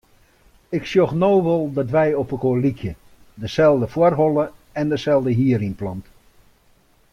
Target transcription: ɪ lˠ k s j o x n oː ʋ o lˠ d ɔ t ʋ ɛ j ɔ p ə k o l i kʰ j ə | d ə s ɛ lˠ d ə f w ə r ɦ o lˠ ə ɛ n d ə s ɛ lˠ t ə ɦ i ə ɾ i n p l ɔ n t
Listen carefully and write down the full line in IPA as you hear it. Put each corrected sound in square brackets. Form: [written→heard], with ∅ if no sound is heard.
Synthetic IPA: ɪ [lˠ→∅] k s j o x n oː ʋ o lˠ d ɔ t ʋ ɛ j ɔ p ə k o l i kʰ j ə | d ə s ɛ lˠ d ə f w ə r ɦ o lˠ ə ɛ n d ə s ɛ lˠ [t→d] ə ɦ i ə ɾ i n p l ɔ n t